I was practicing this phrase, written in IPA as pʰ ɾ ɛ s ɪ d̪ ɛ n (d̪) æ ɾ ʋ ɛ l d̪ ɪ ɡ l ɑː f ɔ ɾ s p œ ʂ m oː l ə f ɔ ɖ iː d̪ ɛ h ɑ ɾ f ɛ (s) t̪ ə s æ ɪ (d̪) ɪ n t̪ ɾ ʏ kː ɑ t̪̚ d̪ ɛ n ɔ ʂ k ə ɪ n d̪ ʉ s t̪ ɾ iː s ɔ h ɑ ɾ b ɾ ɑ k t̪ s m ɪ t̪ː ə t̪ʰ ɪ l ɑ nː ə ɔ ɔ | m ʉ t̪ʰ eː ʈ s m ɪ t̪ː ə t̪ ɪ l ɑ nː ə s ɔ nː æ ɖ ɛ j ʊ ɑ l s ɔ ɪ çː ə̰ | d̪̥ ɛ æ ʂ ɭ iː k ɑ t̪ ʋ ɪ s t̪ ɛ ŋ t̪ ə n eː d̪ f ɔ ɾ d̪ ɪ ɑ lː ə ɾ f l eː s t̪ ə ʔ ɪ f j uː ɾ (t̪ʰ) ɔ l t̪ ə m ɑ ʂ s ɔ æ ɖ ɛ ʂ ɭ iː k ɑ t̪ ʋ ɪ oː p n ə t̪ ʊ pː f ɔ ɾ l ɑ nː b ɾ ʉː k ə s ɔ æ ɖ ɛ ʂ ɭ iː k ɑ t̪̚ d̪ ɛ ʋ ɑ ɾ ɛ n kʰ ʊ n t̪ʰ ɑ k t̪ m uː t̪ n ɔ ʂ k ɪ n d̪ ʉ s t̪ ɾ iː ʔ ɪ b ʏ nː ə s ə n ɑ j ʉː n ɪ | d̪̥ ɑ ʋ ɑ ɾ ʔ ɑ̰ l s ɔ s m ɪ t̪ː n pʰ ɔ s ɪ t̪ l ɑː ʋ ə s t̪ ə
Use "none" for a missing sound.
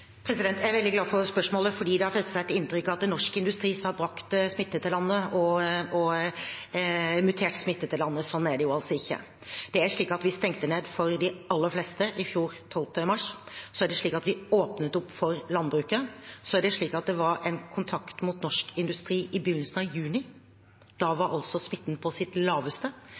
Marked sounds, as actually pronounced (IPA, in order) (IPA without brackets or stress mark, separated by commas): t̪, s, t̪, t̪ʰ